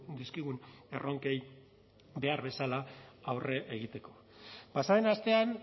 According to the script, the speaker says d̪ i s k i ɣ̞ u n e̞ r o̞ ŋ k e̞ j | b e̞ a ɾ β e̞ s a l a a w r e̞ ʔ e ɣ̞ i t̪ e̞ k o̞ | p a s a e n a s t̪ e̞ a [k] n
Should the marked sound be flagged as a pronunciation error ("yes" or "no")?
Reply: yes